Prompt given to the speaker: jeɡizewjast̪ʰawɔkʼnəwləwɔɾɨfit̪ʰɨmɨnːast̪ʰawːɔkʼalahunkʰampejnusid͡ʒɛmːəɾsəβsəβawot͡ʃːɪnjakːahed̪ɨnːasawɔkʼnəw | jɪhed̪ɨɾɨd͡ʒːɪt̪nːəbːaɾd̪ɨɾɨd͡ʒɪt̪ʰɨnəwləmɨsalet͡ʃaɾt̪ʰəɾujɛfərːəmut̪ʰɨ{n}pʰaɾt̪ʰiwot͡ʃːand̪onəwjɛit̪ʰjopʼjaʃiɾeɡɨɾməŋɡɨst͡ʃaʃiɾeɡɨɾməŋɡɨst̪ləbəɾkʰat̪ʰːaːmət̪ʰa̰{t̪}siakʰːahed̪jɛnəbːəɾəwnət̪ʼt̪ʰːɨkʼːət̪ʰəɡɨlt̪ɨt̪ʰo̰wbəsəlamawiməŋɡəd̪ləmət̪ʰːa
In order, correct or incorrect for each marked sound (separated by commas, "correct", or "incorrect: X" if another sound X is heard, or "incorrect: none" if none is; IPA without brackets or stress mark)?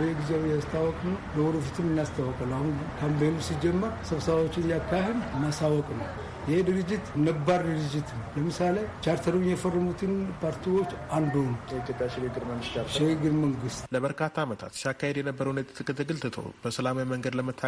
correct, correct